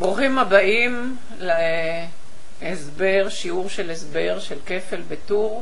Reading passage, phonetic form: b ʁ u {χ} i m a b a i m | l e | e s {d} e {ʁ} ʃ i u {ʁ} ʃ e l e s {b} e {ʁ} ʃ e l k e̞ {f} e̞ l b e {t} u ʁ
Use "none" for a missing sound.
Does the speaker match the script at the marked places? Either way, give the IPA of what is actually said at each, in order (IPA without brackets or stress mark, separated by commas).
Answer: χ, b, ʁ, ʁ, b, ʁ, f, t